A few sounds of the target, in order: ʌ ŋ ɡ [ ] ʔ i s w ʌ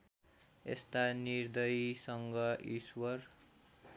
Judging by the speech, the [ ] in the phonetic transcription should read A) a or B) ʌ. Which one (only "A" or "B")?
B